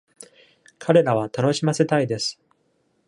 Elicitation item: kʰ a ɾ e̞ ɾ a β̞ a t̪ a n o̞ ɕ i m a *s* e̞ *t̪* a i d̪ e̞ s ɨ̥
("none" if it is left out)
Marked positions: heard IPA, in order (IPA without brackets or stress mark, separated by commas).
s, t̪